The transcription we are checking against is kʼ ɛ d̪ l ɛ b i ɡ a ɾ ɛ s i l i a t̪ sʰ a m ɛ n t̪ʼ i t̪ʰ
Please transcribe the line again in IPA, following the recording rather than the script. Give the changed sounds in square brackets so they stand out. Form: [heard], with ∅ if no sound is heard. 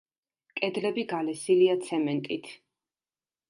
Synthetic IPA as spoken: kʼ ɛ d̪ l ɛ b i ɡ a [l] ɛ s i l i a t̪ sʰ [ɛ] m ɛ n t̪ʼ i t̪ʰ

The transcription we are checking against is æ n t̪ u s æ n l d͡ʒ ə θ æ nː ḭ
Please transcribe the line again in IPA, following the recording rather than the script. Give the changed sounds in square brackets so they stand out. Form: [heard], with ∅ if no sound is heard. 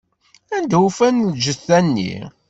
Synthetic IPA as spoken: æ n [d̪] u [f] æ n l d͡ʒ ə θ æ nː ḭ

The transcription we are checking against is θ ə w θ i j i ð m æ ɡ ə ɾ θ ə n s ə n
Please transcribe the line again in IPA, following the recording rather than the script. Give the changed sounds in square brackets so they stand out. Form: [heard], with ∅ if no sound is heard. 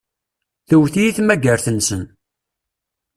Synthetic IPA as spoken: θ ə w θ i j i [θ] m æ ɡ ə ɾ θ ə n s ə n

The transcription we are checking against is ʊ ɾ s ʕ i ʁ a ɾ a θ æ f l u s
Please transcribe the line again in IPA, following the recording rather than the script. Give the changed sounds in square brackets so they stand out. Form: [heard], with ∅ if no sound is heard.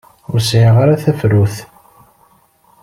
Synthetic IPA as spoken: ʊ ɾ s ʕ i ʁ a ɾ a θ æ f [ɾ] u [θ]

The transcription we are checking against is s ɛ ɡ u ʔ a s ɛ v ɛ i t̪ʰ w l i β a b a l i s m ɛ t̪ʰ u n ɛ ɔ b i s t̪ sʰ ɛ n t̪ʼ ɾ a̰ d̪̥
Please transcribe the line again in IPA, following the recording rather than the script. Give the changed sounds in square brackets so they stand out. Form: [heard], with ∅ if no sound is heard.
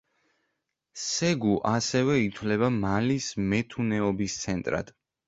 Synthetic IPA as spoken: s ɛ ɡ u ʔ a s ɛ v ɛ i t̪ʰ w l [ɛ] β a [m] a l i s m ɛ t̪ʰ u n ɛ ɔ b i s t̪ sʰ ɛ n t̪ʼ ɾ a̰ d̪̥

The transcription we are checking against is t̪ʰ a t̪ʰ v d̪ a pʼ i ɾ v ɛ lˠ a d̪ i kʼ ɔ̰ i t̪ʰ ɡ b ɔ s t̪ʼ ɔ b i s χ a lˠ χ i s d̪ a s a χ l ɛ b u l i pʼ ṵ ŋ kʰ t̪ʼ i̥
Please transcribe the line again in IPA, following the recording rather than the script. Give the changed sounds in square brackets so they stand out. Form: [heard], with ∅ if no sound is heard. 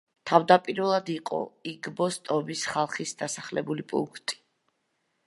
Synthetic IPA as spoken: t̪ʰ a [∅] v d̪ a pʼ i ɾ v ɛ lˠ a d̪ i [qʼ] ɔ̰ i [∅] ɡ b ɔ s t̪ʼ ɔ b i s χ a lˠ χ i s d̪ a s a χ l ɛ b u l i pʼ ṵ ŋ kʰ t̪ʼ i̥

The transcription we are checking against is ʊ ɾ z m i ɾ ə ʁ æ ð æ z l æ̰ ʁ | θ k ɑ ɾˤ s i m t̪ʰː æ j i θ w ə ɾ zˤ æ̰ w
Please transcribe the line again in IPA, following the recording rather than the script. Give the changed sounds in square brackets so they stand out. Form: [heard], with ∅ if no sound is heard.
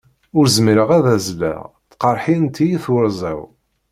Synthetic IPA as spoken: ʊ ɾ z m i ɾ ə ʁ æ ð æ z l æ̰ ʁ | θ [q] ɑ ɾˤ [ħ] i [n] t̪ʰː [i] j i θ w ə ɾ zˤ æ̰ w

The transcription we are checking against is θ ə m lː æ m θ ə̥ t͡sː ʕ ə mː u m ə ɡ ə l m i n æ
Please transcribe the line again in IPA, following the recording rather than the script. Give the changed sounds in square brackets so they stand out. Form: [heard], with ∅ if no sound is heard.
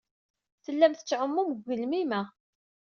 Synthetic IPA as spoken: θ ə [∅] lː æ m θ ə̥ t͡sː ʕ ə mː u m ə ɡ ə l m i [m] æ

